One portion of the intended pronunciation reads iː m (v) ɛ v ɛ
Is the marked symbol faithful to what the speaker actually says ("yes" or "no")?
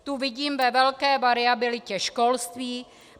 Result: yes